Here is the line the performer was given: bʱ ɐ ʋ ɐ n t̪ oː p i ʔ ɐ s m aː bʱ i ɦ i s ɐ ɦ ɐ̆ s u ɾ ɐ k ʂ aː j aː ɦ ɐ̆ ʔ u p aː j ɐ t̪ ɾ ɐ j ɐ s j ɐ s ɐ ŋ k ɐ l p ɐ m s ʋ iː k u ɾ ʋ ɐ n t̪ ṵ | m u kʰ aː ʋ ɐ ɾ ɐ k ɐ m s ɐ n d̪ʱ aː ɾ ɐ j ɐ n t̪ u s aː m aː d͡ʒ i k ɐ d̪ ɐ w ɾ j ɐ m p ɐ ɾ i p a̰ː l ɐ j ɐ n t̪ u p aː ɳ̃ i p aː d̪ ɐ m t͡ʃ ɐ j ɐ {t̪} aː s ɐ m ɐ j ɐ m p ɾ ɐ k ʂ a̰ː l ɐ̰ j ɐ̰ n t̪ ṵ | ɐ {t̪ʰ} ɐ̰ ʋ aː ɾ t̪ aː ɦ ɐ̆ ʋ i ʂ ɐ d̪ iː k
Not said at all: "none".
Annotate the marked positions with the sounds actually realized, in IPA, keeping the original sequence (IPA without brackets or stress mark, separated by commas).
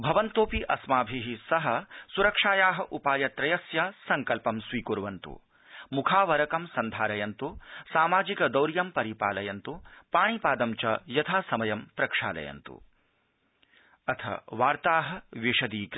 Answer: t̪ʰ, t̪ʰ